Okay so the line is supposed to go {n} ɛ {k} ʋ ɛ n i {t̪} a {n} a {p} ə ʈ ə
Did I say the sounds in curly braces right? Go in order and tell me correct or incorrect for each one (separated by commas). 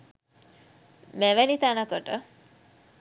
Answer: incorrect, incorrect, correct, correct, incorrect